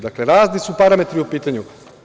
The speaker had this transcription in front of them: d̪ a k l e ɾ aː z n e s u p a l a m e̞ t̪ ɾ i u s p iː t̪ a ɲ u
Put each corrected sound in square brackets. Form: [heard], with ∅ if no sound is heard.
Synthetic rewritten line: d̪ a k l e ɾ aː z n [i] s u p a [ɾ] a m e̞ t̪ ɾ i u [∅] p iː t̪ a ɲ u